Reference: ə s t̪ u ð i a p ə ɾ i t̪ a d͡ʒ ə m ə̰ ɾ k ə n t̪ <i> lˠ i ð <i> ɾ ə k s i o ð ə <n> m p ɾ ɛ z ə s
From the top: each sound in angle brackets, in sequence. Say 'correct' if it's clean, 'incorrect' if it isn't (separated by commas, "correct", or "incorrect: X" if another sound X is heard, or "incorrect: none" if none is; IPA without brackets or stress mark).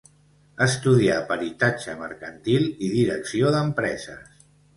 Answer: correct, correct, incorrect: none